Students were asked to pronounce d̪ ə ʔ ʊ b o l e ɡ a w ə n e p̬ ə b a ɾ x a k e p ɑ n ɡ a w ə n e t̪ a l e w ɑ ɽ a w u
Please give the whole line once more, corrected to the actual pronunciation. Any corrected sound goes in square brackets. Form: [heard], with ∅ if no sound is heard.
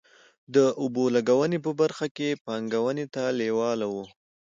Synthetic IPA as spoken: d̪ ə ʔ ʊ b o l [a] ɡ a w ə n e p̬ ə b a ɾ x a k e p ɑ [ŋ] ɡ a w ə n e t̪ a l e w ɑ [l] a w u